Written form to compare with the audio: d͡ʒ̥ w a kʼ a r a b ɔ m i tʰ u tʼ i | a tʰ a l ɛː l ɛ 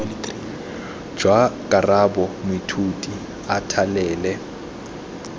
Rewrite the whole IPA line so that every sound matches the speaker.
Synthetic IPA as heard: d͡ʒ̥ w a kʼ a r a b ɔ m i tʰ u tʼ i | a tʰ a l ɛː l ɛ